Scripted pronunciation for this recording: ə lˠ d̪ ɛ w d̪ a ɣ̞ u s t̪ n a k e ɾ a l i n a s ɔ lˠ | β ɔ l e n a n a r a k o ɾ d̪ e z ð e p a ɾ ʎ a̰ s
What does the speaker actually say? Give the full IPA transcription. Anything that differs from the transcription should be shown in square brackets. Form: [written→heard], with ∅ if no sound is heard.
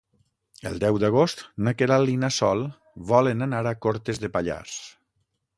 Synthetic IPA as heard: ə lˠ d̪ ɛ w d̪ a ɣ̞ [u→o] s t̪ n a k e ɾ a l i n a s ɔ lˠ | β ɔ l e n a n a [r→ɾ] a k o ɾ [d̪→t̪] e z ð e p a [ɾ→∅] ʎ a̰ s